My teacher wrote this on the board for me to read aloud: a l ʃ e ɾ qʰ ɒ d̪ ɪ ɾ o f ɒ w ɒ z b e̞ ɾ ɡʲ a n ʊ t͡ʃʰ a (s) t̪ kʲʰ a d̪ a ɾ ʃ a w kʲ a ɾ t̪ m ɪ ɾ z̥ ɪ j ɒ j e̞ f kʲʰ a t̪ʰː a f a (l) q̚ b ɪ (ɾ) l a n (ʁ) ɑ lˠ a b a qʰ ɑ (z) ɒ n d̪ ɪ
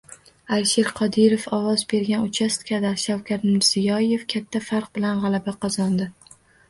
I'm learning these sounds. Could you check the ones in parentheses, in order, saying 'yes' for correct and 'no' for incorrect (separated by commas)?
yes, no, no, yes, yes